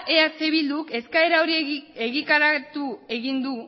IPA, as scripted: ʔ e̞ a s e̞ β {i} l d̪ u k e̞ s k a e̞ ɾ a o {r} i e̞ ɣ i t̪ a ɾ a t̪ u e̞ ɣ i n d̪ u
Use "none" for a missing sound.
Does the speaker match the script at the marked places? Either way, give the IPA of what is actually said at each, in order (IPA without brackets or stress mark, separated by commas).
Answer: i, ɾ